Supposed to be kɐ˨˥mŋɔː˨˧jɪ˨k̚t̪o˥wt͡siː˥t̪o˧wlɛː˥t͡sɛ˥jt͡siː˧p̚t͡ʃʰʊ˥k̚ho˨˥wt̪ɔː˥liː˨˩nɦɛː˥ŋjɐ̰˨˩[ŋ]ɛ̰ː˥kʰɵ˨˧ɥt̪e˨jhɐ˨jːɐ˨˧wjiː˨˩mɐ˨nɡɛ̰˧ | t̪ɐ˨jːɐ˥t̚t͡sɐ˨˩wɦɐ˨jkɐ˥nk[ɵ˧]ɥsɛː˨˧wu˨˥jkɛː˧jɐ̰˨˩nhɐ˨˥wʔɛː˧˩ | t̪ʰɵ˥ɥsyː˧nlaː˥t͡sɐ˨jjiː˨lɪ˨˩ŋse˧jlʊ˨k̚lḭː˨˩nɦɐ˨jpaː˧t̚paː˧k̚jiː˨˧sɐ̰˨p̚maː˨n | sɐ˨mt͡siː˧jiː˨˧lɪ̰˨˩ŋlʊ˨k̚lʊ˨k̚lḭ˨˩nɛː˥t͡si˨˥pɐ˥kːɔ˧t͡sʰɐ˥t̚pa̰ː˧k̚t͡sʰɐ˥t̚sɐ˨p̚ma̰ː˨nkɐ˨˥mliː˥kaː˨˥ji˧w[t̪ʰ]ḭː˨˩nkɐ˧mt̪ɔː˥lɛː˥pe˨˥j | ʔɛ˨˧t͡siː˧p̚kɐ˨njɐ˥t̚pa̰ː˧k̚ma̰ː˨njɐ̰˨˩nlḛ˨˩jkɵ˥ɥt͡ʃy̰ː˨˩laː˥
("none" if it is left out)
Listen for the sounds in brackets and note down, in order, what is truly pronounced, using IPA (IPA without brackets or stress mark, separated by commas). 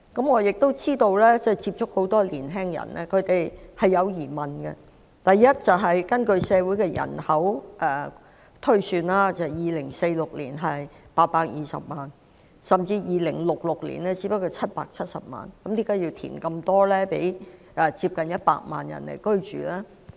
n, ɵ˧, t̪ʰ